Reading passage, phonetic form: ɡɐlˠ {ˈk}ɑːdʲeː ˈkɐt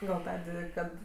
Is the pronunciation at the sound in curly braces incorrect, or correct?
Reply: incorrect